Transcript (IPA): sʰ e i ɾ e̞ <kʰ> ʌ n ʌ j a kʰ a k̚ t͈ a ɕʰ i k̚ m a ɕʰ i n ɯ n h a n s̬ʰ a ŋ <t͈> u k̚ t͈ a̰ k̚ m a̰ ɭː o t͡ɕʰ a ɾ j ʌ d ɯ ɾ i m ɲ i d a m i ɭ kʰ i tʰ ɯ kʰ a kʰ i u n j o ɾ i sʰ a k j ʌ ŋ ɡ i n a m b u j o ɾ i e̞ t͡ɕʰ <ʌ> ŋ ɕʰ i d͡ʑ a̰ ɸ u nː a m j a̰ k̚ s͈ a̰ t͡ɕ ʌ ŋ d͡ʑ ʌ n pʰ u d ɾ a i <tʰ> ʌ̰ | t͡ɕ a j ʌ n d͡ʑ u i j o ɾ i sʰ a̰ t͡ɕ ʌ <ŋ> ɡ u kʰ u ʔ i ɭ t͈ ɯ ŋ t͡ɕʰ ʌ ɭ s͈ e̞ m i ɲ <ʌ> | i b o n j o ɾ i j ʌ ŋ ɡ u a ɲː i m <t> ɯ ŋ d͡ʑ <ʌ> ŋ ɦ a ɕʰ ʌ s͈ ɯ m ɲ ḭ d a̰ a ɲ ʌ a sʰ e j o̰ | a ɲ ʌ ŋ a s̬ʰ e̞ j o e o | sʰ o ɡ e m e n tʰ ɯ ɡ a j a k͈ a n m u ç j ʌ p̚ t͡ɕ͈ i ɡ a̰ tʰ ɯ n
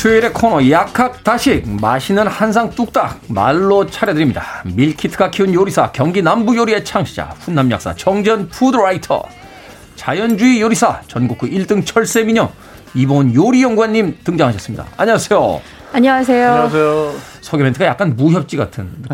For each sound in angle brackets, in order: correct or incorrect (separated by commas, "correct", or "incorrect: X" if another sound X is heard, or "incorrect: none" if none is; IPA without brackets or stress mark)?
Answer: correct, correct, incorrect: a, correct, incorrect: n, correct, correct, incorrect: a